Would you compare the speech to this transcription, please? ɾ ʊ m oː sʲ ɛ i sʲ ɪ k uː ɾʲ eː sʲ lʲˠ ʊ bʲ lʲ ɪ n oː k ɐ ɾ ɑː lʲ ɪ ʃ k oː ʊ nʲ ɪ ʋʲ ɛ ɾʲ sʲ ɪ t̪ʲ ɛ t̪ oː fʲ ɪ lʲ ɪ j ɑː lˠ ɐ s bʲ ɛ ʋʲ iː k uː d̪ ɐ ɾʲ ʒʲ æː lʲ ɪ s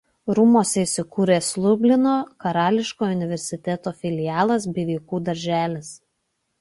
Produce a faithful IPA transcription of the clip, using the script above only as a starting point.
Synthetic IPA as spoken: ɾ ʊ m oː sʲ ɛ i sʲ ɪ k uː ɾʲ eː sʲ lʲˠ ʊ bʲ lʲ ɪ n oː k ɐ ɾ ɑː lʲ ɪ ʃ k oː ʊ nʲ ɪ ʋʲ ɛ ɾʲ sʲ ɪ t̪ʲ ɛ t̪ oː fʲ ɪ lʲ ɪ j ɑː lˠ ɐ s bʲ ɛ ʋʲ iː k uː d̪ ɐ ɾʲ ʒʲ æː lʲ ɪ s